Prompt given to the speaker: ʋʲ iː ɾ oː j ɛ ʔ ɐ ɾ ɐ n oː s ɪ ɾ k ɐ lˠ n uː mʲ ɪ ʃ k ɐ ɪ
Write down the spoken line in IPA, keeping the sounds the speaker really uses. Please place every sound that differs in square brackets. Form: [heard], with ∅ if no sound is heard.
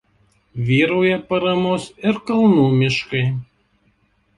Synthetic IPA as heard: ʋʲ iː ɾ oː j ɛ [p] ɐ ɾ ɐ [m] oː s ɪ ɾ k ɐ lˠ n uː mʲ ɪ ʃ k ɐ ɪ